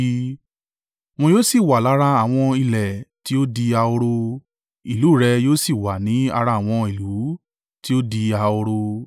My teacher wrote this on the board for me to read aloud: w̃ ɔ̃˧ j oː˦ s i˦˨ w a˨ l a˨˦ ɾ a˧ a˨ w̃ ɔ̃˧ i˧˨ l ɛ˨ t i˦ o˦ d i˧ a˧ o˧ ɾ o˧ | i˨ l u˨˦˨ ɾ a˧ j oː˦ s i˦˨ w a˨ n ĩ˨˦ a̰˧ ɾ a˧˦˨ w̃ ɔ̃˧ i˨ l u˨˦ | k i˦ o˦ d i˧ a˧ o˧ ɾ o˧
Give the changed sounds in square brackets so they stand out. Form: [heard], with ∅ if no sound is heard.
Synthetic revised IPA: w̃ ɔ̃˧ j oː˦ s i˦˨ w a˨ l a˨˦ ɾ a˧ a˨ w̃ ɔ̃˧ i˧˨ l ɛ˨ t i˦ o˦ d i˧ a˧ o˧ ɾ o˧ | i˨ l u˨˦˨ ɾ [ɛ˧] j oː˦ s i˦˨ w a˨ n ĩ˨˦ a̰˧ ɾ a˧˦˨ w̃ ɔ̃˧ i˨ l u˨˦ | [t] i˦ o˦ d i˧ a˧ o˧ ɾ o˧